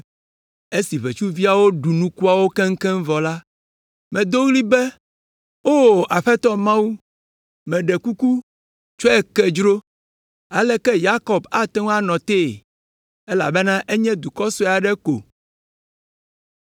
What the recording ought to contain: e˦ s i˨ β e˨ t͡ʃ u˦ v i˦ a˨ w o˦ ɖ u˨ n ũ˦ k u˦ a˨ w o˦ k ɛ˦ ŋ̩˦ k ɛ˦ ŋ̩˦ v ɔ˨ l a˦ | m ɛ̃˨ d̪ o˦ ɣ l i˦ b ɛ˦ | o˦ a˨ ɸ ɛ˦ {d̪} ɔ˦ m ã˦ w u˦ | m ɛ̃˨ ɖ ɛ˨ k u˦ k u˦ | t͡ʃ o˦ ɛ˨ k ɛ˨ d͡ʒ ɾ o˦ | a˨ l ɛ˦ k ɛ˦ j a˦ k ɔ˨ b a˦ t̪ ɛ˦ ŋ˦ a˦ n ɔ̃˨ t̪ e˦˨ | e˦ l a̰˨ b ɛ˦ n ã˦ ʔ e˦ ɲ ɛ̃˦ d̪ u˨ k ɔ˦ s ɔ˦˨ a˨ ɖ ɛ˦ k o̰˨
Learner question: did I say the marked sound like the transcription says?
no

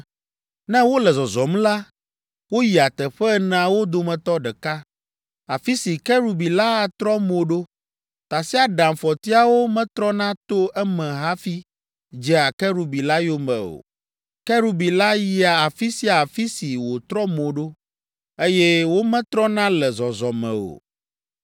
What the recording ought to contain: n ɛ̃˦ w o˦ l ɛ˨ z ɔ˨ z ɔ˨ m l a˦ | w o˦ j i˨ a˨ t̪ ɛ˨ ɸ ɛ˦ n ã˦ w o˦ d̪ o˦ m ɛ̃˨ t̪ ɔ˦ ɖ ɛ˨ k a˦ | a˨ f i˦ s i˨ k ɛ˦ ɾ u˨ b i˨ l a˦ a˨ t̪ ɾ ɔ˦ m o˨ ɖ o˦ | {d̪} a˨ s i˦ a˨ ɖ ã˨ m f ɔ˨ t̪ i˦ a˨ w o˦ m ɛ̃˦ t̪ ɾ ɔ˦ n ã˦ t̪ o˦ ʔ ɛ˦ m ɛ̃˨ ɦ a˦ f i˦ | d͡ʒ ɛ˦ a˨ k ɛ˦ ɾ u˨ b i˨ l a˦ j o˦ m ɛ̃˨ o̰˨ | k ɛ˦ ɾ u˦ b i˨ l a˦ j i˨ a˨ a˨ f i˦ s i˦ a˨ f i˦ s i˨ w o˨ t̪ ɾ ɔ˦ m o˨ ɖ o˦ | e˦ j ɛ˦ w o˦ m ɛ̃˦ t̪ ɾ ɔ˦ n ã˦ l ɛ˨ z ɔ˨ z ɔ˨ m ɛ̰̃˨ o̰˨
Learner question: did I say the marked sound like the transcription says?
no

